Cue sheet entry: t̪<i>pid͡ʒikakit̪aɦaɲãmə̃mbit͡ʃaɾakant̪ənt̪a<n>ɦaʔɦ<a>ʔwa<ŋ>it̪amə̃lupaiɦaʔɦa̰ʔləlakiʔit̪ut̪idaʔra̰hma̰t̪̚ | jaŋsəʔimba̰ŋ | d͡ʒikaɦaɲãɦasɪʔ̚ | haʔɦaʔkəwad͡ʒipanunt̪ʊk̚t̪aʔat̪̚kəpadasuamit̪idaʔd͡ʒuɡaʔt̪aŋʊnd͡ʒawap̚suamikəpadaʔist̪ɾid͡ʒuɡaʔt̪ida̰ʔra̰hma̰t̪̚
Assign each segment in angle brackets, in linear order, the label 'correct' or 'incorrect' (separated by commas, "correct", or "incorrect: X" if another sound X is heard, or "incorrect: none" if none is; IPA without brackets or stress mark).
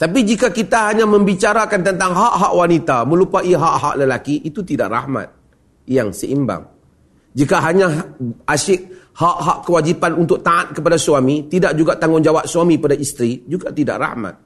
incorrect: a, incorrect: ŋ, correct, incorrect: n